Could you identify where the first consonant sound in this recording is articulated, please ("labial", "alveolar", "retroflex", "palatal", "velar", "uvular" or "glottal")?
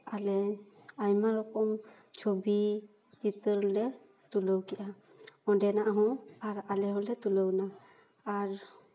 alveolar